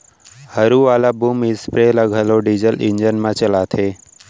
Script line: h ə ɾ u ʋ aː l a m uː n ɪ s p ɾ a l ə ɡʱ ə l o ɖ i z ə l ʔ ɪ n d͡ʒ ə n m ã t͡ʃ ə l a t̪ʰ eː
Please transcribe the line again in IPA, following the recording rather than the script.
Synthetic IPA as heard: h ə ɾ u ʋ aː l a b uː m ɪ s p ɾ e l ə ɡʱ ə l o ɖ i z ə l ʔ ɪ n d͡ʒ ə n m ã t͡ʃ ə l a t̪ʰ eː